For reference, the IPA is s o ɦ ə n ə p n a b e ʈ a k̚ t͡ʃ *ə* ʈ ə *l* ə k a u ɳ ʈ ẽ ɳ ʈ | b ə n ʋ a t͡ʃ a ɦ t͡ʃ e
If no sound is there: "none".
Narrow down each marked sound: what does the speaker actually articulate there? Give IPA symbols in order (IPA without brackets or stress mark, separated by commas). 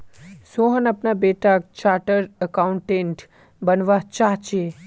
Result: a, ɾ